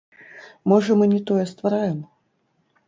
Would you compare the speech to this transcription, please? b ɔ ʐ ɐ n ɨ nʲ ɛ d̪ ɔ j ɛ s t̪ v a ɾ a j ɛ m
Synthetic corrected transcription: m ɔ ʐ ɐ m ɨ nʲ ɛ t̪ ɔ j ɛ s t̪ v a ɾ a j ɛ m